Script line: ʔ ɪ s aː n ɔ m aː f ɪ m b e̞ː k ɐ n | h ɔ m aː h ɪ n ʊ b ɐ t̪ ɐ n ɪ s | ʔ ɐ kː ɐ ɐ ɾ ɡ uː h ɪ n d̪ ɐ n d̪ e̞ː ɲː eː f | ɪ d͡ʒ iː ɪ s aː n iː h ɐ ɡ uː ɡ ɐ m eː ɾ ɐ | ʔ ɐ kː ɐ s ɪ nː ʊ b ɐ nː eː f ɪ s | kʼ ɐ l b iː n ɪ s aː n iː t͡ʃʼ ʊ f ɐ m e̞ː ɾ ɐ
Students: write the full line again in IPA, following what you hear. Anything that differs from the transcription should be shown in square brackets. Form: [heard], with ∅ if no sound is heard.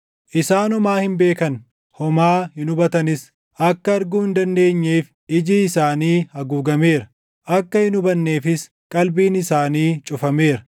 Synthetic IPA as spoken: ʔ ɪ s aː n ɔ m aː [h] ɪ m b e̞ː k ɐ n | h ɔ m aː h ɪ n ʊ b ɐ t̪ ɐ n ɪ s | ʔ ɐ kː ɐ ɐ ɾ ɡ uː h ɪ n d̪ ɐ n d̪ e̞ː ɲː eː f | ɪ d͡ʒ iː ɪ s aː n iː h ɐ ɡ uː ɡ ɐ m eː ɾ ɐ | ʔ ɐ kː ɐ [h] ɪ [n] ʊ b ɐ nː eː f ɪ s | kʼ ɐ l b iː n ɪ s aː n iː t͡ʃʼ ʊ f ɐ m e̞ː ɾ ɐ